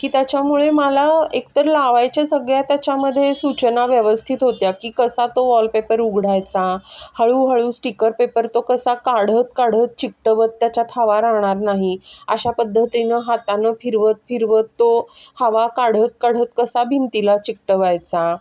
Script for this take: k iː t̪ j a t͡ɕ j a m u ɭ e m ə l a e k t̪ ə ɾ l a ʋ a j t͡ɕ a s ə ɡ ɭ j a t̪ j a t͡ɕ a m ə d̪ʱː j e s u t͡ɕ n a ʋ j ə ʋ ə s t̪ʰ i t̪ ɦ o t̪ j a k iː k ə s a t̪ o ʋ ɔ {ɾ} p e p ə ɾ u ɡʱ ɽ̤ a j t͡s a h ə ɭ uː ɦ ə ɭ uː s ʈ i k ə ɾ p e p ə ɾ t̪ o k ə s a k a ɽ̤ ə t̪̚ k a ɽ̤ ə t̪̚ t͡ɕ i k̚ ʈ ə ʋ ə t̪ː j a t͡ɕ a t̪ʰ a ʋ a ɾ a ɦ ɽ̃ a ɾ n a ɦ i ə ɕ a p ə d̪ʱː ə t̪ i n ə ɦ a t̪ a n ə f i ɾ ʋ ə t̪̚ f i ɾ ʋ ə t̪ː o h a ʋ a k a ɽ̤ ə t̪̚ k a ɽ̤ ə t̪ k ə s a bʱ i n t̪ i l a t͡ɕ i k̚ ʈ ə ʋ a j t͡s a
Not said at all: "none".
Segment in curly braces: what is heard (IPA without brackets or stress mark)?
l